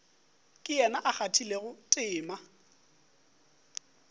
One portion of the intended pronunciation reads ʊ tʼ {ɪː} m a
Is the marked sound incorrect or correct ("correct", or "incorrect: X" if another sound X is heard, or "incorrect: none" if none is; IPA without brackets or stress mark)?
correct